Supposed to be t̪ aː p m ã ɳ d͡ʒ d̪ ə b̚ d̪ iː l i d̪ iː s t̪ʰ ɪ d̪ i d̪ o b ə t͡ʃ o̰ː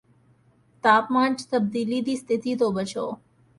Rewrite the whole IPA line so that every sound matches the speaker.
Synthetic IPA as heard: t̪ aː p m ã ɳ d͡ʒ t̪ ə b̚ d̪ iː l i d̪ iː s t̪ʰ ɪ t̪ i t̪ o b ə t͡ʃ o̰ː